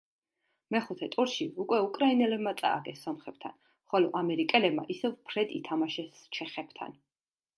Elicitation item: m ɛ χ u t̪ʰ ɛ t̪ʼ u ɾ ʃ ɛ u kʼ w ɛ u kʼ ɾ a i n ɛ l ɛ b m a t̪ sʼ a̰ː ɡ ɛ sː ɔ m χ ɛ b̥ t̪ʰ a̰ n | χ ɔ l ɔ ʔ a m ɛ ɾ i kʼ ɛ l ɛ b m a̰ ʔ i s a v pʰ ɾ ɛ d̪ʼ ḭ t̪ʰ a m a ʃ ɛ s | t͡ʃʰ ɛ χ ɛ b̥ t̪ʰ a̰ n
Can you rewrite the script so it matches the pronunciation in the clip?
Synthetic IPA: m ɛ χ u t̪ʰ ɛ t̪ʼ u ɾ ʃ i u kʼ w ɛ u kʼ ɾ a i n ɛ l ɛ b m a t̪ sʼ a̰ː ɡ ɛ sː ɔ m χ ɛ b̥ t̪ʰ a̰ n | χ ɔ l ɔ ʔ a m ɛ ɾ i kʼ ɛ l ɛ b m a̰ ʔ i s ɛ v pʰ ɾ ɛ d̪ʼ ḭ t̪ʰ a m a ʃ ɛ s | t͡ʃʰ ɛ χ ɛ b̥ t̪ʰ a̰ n